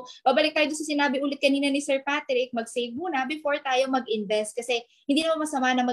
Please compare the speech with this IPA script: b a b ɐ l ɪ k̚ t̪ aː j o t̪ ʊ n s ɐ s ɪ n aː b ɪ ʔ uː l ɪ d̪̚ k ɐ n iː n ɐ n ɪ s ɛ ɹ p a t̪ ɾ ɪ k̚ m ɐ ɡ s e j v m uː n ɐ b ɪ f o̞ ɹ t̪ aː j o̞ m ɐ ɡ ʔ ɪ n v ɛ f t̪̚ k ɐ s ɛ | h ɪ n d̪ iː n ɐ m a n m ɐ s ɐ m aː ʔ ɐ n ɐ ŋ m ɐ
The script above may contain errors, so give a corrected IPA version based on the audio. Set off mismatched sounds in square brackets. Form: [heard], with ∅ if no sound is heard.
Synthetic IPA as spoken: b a b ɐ l ɪ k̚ t̪ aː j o [d̪] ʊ n s ɐ s ɪ n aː b ɪ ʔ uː l ɪ [t̪̚] k ɐ n iː n ɐ n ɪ s ɛ ɹ p a t̪ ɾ ɪ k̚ m ɐ ɡ s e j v m uː n ɐ b ɪ f o̞ ɹ t̪ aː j o̞ m ɐ ɡ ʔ ɪ n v ɛ [s] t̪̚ k ɐ s ɛ | h ɪ n d̪ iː n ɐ m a n m ɐ s ɐ m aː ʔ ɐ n ɐ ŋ m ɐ